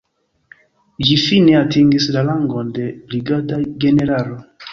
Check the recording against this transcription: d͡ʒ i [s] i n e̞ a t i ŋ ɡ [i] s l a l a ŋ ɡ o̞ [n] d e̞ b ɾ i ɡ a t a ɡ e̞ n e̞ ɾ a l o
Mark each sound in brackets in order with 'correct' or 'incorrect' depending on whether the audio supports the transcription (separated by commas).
incorrect, correct, correct